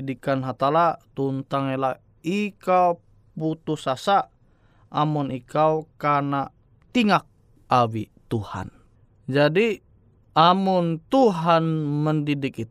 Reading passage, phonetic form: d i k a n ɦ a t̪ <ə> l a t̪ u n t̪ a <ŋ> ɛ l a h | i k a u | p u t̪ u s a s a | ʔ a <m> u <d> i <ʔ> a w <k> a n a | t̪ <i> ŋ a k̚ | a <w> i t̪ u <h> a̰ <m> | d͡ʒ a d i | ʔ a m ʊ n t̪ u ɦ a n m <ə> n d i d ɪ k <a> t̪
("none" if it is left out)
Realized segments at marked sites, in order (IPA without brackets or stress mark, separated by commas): a, ŋ, m, n, k, k, i, w, h, n, ə, i